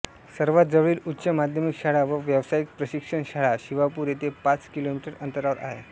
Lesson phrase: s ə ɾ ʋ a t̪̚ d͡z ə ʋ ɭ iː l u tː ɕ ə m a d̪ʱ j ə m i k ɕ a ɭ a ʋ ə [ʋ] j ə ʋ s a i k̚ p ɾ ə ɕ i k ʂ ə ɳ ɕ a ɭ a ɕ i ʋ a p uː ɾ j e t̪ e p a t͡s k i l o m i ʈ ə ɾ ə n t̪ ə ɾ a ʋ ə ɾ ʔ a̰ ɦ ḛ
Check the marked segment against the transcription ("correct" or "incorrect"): correct